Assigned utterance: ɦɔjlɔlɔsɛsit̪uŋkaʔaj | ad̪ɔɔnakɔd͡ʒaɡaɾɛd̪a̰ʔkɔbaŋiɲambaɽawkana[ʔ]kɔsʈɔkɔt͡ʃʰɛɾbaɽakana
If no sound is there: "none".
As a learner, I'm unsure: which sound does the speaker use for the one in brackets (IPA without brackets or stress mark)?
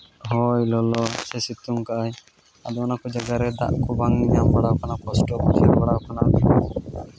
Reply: none